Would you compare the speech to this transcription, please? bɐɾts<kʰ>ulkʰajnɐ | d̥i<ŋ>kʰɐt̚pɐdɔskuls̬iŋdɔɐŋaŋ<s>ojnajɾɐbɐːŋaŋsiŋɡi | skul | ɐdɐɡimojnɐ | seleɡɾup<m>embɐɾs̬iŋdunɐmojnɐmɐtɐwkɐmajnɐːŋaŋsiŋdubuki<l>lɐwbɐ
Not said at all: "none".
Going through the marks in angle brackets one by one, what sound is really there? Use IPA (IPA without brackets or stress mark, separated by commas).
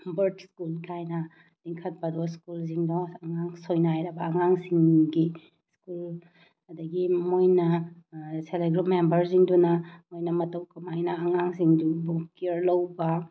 k, ŋ, s, m, ɾ